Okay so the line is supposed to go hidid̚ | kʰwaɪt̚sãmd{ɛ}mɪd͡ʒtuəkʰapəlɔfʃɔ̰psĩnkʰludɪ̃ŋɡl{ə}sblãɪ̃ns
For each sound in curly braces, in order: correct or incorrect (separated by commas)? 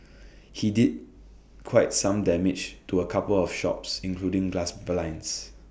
correct, incorrect